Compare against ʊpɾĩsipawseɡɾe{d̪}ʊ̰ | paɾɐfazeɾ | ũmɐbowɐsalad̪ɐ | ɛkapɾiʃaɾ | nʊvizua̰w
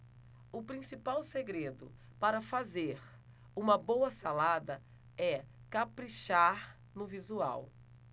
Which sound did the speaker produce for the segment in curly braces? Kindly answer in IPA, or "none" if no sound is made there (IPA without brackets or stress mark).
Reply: d̪